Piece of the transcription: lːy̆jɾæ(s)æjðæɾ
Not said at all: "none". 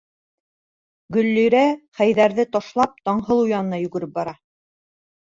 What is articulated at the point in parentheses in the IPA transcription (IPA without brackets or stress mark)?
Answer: χ